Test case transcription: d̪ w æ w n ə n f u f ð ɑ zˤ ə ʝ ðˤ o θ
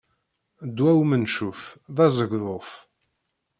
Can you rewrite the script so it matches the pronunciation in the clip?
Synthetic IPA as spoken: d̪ w æ w m ə n ʃ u f ð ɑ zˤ ə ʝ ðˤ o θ